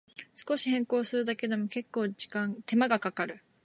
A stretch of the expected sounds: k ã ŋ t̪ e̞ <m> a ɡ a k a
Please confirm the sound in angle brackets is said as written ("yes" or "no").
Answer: yes